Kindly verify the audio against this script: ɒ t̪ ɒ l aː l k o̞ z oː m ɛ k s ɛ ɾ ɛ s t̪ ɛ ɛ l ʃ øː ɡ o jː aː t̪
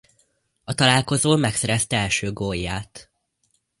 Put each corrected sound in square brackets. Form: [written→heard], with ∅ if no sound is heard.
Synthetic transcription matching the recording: ɒ t̪ ɒ l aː l k o̞ z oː m ɛ k s ɛ ɾ ɛ s t̪ ɛ ɛ l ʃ øː ɡ o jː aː t̪